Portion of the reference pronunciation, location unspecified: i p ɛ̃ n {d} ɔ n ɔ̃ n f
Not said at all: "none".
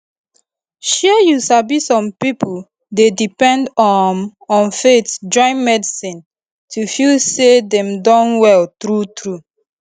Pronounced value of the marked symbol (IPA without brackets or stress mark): d